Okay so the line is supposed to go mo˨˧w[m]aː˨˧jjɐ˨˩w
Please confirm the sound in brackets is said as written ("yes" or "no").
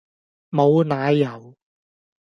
no